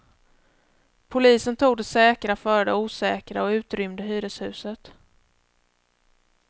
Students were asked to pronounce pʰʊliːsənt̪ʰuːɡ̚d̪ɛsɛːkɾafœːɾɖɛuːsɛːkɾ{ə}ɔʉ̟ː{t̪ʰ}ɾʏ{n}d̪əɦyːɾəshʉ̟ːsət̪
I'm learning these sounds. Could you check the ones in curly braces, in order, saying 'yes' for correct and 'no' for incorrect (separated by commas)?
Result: no, no, no